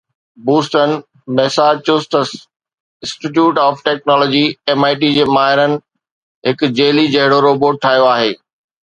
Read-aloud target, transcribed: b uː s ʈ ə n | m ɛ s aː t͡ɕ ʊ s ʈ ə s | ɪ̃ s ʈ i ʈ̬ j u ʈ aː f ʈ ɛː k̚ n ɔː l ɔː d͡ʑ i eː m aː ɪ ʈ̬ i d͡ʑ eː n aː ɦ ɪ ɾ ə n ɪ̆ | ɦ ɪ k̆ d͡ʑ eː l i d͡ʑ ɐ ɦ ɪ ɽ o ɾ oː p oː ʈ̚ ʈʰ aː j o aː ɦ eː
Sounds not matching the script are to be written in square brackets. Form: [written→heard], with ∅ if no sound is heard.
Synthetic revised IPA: b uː s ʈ ə n | m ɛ s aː t͡ɕ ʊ s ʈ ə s | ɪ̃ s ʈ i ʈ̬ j [u→uː] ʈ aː f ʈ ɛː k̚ n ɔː l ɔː d͡ʑ i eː m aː ɪ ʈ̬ i d͡ʑ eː [n→m] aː ɦ ɪ ɾ ə n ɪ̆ | ɦ ɪ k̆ d͡ʑ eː l i d͡ʑ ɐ ɦ ɪ ɽ o ɾ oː [p→b] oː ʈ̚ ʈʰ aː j o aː ɦ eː